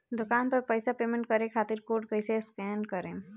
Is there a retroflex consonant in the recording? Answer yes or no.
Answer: yes